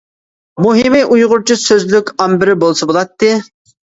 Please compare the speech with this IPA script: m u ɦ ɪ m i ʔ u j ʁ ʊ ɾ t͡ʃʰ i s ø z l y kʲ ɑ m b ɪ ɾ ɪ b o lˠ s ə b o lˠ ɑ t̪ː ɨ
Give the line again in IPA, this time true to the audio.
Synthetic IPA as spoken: m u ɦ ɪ m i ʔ u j ʁ ʊ ɾ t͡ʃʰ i s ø z l y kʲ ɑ m b ɪ ɾ ɪ b o lˠ s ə b o lˠ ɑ t̪ː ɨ